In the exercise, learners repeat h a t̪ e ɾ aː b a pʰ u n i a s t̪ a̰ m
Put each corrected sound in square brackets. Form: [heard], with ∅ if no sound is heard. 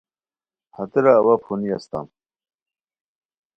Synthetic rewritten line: h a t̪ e ɾ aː [w] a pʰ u n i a s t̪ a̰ m